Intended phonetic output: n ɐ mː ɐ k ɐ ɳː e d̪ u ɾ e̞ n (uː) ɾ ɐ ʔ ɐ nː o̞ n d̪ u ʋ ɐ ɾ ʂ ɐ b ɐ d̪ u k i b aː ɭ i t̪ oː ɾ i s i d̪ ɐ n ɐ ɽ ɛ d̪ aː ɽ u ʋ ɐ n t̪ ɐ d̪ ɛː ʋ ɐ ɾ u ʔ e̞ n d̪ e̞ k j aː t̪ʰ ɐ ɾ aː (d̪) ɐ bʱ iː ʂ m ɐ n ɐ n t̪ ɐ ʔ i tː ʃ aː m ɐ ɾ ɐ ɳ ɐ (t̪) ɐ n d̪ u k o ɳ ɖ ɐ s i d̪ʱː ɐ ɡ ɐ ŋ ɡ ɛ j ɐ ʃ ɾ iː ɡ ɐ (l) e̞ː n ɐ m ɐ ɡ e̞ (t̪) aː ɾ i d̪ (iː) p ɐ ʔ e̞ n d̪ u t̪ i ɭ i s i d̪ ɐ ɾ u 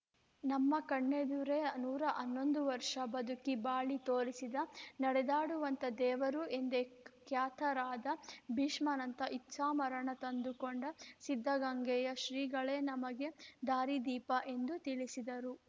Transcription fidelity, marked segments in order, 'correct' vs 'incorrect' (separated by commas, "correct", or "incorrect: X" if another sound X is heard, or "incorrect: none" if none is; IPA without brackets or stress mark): correct, correct, correct, incorrect: ɭ, incorrect: d̪, correct